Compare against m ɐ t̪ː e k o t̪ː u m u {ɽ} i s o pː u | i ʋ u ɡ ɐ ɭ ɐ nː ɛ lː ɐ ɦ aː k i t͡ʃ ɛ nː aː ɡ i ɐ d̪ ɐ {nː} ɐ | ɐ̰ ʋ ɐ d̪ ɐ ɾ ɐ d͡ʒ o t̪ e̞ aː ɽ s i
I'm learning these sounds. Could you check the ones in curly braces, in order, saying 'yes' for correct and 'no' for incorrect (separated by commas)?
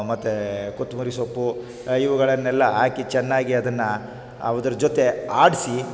no, yes